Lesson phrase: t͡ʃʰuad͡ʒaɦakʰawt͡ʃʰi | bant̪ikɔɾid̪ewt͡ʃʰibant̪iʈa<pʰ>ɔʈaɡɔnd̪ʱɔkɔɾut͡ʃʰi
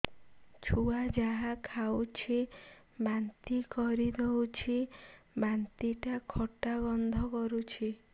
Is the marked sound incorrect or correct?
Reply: incorrect: kʰ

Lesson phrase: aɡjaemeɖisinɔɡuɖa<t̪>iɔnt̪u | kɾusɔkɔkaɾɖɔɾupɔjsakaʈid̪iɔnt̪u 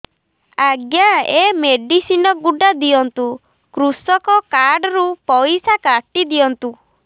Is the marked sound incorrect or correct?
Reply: incorrect: d̪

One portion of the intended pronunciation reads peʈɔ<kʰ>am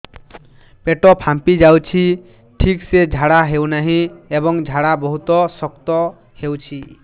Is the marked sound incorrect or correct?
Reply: incorrect: pʰ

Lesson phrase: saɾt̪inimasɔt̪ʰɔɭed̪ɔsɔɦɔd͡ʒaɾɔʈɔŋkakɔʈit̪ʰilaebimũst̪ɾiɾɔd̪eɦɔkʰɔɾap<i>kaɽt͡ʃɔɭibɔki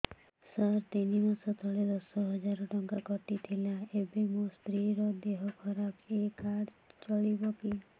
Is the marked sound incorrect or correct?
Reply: incorrect: e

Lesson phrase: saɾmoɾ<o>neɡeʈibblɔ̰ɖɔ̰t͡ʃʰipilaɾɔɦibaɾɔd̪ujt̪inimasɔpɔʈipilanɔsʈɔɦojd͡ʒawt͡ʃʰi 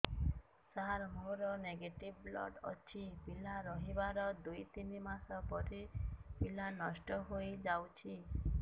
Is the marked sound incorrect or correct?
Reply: incorrect: ɔ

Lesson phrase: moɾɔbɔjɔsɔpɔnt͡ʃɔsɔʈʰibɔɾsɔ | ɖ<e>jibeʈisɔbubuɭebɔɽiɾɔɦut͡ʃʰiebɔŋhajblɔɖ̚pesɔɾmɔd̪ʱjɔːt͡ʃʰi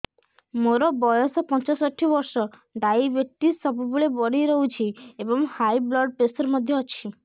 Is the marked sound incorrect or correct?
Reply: incorrect: a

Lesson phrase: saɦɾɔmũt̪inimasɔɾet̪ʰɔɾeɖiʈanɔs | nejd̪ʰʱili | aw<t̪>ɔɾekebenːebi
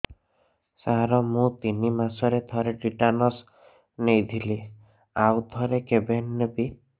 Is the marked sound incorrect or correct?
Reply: incorrect: t̪ʰ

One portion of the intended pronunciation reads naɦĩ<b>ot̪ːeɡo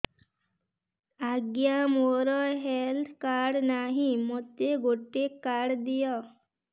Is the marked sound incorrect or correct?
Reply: incorrect: m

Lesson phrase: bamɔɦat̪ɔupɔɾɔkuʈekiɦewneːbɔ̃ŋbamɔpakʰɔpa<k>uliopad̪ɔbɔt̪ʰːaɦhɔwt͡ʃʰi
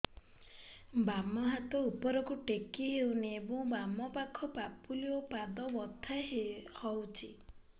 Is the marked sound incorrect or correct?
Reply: incorrect: p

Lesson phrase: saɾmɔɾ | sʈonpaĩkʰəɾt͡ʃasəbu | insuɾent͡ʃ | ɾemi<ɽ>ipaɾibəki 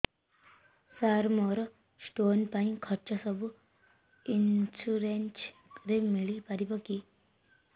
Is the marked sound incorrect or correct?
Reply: incorrect: ɭ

